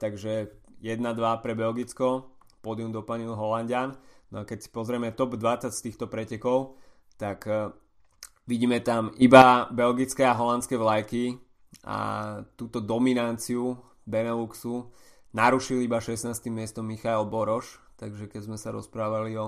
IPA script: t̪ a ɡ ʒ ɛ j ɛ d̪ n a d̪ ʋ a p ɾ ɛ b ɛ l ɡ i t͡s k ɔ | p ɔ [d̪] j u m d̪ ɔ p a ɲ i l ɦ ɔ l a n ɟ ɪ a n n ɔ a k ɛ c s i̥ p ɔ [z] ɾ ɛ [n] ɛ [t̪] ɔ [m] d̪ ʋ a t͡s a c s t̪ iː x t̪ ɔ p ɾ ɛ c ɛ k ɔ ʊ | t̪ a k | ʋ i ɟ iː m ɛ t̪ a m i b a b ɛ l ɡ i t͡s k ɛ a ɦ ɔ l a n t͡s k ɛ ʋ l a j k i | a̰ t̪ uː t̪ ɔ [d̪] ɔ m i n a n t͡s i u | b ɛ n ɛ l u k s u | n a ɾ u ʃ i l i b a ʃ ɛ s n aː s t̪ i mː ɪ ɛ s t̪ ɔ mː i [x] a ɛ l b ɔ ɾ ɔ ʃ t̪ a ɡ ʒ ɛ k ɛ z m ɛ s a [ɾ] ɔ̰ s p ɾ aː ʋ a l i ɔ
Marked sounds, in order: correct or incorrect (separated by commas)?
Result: correct, correct, incorrect, correct, incorrect, correct, correct, correct